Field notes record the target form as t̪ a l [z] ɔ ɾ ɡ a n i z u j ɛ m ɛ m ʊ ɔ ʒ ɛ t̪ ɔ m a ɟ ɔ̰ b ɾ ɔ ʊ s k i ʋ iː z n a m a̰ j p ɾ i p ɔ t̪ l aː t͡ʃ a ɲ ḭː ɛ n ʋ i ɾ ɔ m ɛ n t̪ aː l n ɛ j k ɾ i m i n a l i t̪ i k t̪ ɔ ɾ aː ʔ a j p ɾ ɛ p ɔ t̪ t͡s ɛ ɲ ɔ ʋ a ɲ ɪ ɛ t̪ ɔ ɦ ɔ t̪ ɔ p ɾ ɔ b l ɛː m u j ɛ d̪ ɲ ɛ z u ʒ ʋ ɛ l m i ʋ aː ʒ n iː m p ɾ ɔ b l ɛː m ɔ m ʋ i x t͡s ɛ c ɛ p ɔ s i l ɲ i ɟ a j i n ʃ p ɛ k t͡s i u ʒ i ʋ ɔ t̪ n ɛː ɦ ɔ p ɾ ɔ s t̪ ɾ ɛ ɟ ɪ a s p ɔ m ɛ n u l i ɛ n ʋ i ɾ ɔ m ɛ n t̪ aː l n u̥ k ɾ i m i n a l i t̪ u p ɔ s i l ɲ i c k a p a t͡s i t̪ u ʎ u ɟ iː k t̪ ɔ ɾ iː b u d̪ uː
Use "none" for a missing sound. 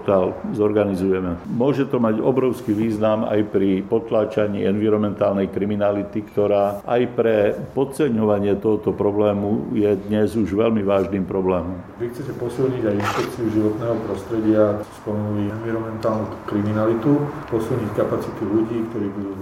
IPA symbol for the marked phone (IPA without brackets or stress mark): z